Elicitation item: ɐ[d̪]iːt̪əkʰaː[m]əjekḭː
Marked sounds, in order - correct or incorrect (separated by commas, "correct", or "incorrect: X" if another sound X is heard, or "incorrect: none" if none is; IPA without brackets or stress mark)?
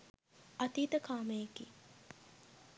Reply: incorrect: t̪, correct